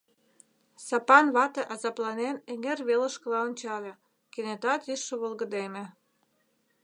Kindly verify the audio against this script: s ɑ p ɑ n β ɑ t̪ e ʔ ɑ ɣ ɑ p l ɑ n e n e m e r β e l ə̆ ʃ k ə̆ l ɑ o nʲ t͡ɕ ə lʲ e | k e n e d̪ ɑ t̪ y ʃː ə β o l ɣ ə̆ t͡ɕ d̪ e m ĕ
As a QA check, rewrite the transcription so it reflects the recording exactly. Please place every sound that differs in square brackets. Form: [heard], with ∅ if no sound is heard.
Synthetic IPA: s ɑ p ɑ n β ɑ t̪ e ʔ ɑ [z] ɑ p l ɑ n e n e [ŋ] e r β e l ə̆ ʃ k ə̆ l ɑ o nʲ t͡ɕ [ɑ] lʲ e | k e n e [t̪] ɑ t̪ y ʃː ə β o l ɣ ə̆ [∅] d̪ e m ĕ